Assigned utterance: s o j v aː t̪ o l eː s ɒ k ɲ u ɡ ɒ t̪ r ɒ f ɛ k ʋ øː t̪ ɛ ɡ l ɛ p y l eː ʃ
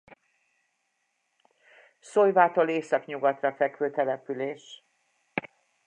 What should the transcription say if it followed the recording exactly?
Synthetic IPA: s o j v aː t̪ o l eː s ɒ k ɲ u ɡ ɒ t̪ r ɒ f ɛ k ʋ øː t̪ ɛ l ɛ p y l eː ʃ